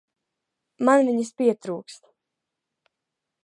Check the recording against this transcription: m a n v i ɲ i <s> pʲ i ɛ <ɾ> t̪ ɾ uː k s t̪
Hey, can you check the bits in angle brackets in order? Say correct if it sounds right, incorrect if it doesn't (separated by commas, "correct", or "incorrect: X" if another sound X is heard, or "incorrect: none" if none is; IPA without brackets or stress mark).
correct, incorrect: none